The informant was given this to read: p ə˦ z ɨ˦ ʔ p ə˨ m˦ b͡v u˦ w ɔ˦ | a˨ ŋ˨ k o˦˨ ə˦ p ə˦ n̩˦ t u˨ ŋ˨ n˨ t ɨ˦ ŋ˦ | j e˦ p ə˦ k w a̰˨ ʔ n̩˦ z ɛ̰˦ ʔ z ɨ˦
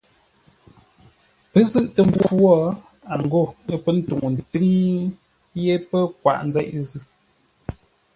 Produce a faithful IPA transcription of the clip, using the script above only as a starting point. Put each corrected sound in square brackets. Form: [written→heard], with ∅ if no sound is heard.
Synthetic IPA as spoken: p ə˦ z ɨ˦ ʔ [p→t] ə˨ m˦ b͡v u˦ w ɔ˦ | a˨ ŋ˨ [k→ɡ] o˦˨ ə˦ p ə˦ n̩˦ t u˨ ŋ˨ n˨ t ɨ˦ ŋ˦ | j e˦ p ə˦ k w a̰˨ ʔ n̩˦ z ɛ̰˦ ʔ z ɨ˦